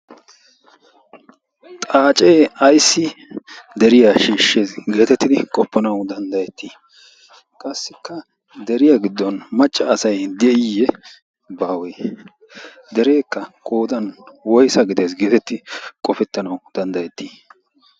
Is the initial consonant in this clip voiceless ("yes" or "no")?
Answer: yes